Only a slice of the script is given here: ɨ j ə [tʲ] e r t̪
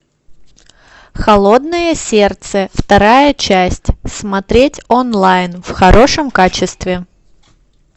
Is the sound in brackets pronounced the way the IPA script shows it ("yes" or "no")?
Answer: no